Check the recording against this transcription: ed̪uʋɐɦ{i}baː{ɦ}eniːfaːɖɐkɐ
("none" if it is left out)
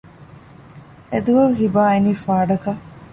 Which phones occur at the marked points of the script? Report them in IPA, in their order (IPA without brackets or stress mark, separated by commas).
i, none